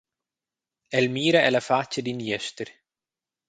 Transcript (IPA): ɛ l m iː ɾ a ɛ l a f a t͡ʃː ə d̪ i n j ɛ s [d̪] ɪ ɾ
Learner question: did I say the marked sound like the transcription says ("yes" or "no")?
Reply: no